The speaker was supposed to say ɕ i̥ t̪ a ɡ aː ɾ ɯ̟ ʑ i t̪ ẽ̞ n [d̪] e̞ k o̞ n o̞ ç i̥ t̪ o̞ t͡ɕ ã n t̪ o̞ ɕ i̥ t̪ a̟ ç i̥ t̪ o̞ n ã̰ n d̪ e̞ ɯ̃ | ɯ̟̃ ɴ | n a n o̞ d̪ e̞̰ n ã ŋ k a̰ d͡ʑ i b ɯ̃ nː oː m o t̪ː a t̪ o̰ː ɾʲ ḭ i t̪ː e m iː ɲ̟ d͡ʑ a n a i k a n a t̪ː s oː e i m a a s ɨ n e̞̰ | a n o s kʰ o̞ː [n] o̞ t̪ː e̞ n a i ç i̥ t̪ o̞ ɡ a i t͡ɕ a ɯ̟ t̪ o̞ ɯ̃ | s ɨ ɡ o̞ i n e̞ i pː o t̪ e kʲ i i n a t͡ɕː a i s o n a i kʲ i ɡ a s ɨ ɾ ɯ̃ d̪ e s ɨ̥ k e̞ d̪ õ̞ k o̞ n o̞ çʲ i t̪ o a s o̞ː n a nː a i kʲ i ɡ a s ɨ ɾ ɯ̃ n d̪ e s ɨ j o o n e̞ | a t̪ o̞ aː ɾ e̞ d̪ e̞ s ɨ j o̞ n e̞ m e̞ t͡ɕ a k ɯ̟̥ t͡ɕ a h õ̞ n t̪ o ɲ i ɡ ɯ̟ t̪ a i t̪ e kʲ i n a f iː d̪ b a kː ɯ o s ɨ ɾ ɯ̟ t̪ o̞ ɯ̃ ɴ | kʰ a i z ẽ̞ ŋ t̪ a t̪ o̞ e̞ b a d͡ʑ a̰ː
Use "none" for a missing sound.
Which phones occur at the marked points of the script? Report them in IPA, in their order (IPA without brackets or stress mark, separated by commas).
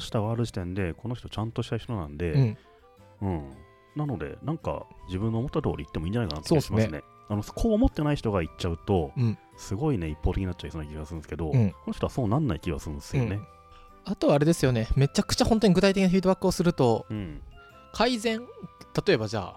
d̪, m